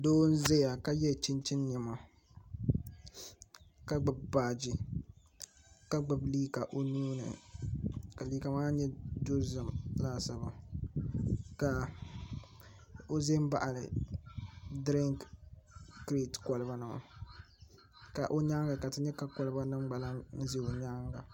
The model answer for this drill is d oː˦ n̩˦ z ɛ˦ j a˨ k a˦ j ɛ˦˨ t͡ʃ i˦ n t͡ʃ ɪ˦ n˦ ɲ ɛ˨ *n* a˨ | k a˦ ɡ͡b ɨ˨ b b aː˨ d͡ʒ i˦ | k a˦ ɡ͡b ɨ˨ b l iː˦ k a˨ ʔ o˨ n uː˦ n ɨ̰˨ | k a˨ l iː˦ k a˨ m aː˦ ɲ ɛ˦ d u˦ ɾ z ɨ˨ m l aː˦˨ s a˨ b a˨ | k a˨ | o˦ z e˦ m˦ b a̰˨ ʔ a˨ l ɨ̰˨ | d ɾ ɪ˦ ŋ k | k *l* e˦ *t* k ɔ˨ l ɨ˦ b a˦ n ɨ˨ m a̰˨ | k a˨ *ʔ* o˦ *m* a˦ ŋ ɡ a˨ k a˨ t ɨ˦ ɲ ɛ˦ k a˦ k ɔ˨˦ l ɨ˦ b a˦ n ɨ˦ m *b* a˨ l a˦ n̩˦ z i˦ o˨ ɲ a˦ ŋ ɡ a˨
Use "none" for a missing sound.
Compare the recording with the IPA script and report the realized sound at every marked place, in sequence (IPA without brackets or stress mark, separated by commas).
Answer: m, ɾ, t, ʔ, ɲ, ɡ͡b